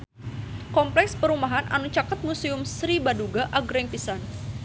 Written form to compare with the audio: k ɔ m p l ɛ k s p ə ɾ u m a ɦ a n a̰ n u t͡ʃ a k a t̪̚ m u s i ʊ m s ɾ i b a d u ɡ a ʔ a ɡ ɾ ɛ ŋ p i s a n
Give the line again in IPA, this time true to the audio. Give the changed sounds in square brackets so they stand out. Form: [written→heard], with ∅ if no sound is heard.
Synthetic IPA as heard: k ɔ m p l ɛ k s p ə ɾ u m a ɦ a n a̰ n u t͡ʃ a k a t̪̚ m u s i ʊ m s ɾ i b a d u ɡ a ʔ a ɡ ɾ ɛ ŋ p i s a n